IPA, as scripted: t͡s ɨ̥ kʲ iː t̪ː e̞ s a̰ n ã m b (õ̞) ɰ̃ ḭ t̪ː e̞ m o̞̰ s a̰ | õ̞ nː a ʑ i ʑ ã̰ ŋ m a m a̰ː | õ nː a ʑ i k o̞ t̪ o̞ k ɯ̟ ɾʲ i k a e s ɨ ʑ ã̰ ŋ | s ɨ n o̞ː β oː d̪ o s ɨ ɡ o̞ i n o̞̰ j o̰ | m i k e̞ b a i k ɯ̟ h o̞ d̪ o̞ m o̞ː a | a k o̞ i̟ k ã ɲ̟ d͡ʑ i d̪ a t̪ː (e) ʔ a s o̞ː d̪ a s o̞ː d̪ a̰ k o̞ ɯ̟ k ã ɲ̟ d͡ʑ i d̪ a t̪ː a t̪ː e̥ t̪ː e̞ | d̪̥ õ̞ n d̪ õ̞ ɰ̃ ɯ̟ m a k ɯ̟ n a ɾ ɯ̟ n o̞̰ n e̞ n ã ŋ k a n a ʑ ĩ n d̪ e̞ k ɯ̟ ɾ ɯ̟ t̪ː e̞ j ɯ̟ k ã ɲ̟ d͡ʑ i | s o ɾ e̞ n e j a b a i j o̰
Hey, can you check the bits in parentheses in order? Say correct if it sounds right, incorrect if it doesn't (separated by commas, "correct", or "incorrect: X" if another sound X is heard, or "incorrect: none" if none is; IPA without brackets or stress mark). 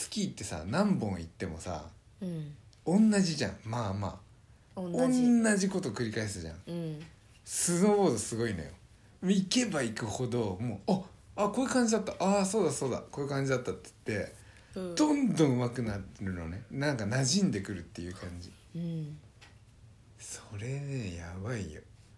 correct, incorrect: a